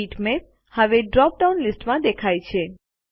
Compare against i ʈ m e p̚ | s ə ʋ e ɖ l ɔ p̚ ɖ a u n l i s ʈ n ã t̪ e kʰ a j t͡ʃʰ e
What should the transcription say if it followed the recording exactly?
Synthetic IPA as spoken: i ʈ m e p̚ | h ə ʋ e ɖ ɾ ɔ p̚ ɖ a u n l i s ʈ m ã d̪ e kʰ a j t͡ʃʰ e